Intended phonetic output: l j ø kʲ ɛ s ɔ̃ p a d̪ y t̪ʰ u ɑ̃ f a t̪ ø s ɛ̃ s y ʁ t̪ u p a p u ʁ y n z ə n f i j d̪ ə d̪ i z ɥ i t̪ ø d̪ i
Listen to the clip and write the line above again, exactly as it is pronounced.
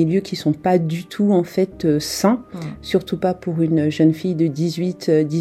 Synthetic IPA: l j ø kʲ i s ɔ̃ p a d̪ y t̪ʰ u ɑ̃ f ɛ t̪ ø s ɛ̃ s y ʁ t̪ u p a p u ʁ y n ʒ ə n f i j d̪ ə d̪ i z ɥ i t̪ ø d̪ i